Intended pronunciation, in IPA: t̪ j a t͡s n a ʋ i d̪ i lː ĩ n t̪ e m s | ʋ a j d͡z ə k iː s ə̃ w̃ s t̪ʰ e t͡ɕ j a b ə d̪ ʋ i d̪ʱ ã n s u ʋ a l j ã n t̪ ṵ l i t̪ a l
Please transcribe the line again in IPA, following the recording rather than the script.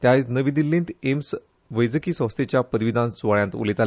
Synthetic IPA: t̪ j a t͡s n ə ʋ i d̪ i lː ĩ n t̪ e m s | ʋ ə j d͡z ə k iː s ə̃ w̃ s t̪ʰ e t͡ɕ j a p ə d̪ ʋ i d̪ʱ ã n s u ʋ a ɭ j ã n t̪ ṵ l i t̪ a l